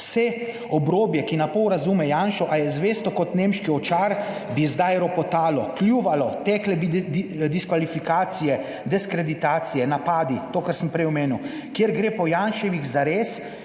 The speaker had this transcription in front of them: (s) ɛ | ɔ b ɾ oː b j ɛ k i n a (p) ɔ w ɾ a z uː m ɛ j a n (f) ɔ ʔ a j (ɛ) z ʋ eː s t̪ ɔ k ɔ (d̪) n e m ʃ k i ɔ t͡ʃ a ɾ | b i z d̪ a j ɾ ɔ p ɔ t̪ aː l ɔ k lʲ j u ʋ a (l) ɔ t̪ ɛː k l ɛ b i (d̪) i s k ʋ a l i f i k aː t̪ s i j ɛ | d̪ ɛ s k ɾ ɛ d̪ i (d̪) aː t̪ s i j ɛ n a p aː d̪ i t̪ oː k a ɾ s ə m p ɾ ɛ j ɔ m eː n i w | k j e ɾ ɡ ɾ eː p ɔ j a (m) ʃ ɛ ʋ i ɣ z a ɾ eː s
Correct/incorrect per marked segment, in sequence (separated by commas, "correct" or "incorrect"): correct, correct, incorrect, correct, incorrect, correct, correct, incorrect, incorrect